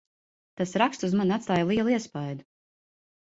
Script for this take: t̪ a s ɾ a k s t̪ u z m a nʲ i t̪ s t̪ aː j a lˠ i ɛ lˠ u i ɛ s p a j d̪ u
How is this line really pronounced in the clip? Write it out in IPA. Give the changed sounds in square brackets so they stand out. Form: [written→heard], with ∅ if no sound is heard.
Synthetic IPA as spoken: t̪ a s ɾ a k s t̪ u z m a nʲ [i→a] t̪ s t̪ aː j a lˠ i ɛ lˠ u i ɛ s p a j d̪ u